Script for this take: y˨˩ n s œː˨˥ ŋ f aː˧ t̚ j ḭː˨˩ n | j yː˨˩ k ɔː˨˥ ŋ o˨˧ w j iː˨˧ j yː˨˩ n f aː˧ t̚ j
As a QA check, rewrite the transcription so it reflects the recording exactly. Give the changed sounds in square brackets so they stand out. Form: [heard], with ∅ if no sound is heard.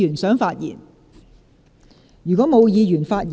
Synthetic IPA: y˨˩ n s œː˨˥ ŋ f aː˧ t̚ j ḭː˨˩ n | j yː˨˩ k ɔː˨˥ [m] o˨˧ w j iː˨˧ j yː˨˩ n f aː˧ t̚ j

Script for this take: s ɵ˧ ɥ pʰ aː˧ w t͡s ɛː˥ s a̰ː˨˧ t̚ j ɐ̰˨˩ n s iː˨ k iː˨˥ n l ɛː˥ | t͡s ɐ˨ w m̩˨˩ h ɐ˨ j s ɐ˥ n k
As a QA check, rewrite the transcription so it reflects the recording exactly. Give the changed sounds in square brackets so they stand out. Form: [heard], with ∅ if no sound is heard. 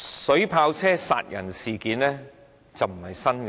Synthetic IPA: s [ɵ˨˥] ɥ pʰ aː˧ w [t͡sʰ] ɛː˥ s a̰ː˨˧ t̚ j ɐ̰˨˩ n s iː˨ k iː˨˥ n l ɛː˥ | t͡s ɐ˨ w m̩˨˩ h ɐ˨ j s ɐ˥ n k

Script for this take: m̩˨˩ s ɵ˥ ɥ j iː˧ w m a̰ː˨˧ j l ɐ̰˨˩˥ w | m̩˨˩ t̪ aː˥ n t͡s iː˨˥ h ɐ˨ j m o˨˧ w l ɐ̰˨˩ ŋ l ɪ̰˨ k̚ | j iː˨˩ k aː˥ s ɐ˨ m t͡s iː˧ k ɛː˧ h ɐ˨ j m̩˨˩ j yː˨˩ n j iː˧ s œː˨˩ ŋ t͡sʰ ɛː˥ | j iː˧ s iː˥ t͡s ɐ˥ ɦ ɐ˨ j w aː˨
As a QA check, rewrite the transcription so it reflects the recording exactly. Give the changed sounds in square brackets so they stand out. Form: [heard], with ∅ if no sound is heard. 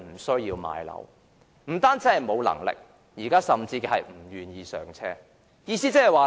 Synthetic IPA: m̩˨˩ s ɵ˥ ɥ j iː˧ w m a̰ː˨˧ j l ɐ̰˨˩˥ w | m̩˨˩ t̪ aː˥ n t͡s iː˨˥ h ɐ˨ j m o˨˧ w l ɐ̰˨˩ ŋ l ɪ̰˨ k̚ | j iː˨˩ k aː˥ s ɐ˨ m t͡s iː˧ k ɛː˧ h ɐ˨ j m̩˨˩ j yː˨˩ n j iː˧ s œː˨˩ ŋ t͡sʰ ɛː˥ | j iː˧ s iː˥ t͡s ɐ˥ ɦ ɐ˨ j w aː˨

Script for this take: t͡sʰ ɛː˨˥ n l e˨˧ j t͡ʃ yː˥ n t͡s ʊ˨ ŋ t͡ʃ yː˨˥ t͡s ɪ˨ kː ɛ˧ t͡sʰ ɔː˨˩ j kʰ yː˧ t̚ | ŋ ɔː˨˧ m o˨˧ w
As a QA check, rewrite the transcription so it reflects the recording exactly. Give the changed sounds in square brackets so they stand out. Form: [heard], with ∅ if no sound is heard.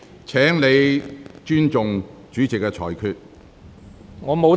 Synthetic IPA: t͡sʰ ɛː˨˥ [ŋ] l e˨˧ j t͡ʃ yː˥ n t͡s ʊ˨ ŋ t͡ʃ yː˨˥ t͡s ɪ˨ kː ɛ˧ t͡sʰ ɔː˨˩ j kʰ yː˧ t̚ | ŋ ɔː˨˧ m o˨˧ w

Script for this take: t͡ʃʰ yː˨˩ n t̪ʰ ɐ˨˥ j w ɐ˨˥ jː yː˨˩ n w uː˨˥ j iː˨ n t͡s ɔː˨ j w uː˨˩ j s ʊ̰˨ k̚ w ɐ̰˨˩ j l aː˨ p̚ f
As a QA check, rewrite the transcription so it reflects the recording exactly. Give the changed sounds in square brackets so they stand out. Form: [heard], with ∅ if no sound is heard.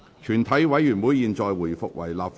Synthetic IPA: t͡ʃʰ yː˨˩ n t̪ʰ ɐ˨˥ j w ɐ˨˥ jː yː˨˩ n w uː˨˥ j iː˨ n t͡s ɔː˨ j w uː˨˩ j [f] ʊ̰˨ k̚ w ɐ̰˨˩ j l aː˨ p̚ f

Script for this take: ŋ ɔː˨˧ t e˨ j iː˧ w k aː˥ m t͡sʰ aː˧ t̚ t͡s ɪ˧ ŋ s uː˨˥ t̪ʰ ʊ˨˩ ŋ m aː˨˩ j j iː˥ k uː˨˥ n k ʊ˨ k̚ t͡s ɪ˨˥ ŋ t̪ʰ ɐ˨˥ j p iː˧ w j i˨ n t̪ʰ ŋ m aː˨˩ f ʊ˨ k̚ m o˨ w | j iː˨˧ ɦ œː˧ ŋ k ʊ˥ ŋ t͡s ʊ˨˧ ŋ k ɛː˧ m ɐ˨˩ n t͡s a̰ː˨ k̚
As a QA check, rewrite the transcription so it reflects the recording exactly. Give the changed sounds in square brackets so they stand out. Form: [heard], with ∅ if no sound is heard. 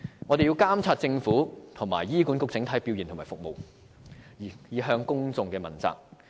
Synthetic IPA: ŋ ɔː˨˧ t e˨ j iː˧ w k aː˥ m t͡sʰ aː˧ t̚ t͡s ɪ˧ ŋ [f] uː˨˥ t̪ʰ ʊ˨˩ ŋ m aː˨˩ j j iː˥ k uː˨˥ n k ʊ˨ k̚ t͡s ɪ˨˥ ŋ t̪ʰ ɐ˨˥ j p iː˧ w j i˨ n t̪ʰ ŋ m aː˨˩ f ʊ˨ k̚ m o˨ w | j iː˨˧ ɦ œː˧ ŋ k ʊ˥ ŋ t͡s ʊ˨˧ ŋ k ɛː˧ m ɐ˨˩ n t͡s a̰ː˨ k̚

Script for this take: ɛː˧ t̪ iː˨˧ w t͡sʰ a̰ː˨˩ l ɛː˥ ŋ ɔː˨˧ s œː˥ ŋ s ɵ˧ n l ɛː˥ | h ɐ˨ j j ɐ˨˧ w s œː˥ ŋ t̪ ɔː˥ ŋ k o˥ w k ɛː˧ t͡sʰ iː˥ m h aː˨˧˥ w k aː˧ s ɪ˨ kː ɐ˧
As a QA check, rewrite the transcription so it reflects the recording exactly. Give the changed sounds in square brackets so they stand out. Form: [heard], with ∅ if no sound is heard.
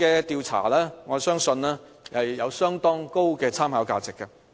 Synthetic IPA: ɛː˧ t̪ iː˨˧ w t͡sʰ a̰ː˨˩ l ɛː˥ ŋ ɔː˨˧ s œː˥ ŋ s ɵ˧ n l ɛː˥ | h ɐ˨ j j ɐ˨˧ w s œː˥ ŋ t̪ ɔː˥ ŋ k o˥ w k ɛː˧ t͡sʰ [aː˥] m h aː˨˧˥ w k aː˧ [t͡s] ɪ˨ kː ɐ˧

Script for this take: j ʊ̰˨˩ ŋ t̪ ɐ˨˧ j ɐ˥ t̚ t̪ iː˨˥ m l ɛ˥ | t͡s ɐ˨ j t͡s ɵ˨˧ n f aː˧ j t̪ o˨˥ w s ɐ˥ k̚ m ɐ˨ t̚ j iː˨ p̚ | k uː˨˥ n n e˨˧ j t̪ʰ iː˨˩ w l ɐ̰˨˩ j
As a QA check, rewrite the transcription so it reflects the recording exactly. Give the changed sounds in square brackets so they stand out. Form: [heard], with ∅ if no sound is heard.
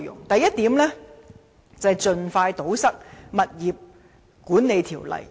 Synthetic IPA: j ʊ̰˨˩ ŋ t̪ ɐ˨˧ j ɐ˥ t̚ t̪ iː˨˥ m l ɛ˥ | t͡s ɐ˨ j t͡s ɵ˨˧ n f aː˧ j t̪ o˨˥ w s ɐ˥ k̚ m ɐ˨ t̚ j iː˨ p̚ | k uː˨˥ n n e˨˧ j t̪ʰ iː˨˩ w l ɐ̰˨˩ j

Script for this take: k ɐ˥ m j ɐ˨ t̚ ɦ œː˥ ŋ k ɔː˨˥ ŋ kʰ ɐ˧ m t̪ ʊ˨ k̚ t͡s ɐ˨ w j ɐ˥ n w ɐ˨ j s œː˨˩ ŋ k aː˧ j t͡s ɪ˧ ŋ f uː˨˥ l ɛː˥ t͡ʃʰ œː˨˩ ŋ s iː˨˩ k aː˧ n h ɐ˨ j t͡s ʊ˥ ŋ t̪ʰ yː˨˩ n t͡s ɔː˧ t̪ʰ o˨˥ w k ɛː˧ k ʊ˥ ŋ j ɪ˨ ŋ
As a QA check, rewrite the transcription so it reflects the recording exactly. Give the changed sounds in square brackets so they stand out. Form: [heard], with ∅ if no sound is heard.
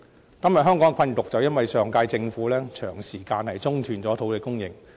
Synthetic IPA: k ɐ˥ m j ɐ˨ t̚ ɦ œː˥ ŋ k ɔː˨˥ ŋ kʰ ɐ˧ [n] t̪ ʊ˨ k̚ t͡s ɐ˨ w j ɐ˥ n w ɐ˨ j s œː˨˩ ŋ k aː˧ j t͡s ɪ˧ ŋ f uː˨˥ l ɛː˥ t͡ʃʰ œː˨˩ ŋ s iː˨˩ k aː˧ n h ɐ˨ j t͡s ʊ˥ ŋ t̪ʰ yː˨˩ n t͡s [ɔː˨˥] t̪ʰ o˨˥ w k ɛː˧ k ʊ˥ ŋ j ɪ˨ ŋ

